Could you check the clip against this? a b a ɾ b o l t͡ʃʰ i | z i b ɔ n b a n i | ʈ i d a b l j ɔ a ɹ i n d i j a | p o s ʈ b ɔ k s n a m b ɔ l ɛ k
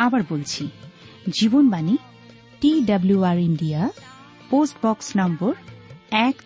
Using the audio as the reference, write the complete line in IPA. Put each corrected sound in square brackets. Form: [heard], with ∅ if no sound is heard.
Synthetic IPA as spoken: a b a [ɹ] b o l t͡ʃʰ i | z i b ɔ n b a n i | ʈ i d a b l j [u] a ɹ i n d i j a | p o s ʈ b ɔ k s n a m b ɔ [ɹ] ɛ k